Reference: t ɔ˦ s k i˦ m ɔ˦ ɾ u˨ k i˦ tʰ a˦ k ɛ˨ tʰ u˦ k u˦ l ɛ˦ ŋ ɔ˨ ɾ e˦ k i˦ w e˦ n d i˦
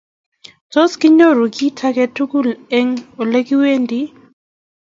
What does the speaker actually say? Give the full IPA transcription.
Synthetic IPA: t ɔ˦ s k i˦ ɲ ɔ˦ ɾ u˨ k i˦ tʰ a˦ k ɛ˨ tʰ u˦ k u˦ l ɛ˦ ŋ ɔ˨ l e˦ k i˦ w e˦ n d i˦